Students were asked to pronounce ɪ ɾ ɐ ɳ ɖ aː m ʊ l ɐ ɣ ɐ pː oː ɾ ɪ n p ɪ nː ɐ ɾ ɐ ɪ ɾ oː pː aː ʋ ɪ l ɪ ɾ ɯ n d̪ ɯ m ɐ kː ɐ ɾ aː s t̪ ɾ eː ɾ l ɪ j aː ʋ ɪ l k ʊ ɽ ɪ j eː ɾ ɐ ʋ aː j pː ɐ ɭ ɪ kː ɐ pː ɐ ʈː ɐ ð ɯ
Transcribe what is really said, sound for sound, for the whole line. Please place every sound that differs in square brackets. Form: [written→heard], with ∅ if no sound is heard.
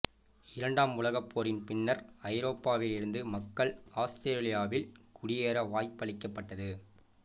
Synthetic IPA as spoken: ɪ ɾ ɐ ɳ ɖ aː m ʊ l ɐ ɣ ɐ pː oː ɾ ɪ n p ɪ nː ɐ ɾ ɐ ɪ ɾ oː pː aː ʋ ɪ l ɪ ɾ ɯ n d̪ ɯ m ɐ kː ɐ [ɾ→ɭ] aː s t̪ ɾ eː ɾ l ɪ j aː ʋ ɪ l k ʊ ɽ ɪ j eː ɾ ɐ ʋ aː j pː ɐ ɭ ɪ kː ɐ pː ɐ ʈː ɐ ð ɯ